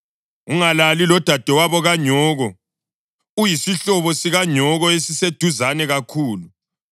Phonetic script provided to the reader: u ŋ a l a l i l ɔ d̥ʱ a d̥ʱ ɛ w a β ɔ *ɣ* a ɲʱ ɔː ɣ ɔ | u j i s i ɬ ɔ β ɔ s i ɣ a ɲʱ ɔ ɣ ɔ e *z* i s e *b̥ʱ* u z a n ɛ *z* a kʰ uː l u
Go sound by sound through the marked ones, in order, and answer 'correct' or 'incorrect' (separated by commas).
correct, incorrect, incorrect, incorrect